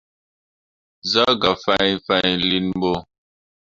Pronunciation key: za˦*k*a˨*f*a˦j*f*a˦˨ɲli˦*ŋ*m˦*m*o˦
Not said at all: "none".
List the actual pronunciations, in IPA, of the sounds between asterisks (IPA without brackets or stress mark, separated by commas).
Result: ɡ, f, f, n, b